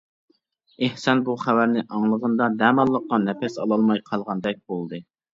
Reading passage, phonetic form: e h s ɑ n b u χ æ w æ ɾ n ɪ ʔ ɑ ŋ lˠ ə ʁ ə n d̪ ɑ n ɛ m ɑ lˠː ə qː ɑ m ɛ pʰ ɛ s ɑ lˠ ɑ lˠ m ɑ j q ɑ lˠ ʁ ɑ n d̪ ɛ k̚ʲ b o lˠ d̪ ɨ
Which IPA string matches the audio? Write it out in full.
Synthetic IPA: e h s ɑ n b u χ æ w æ ɾ n ɪ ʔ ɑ ŋ lˠ ə ʁ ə n d̪ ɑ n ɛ m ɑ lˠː ə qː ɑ n ɛ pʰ ɛ s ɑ lˠ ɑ lˠ m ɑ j qʰ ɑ lˠ ʁ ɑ n d̪ ɛ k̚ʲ b o lˠ d̪ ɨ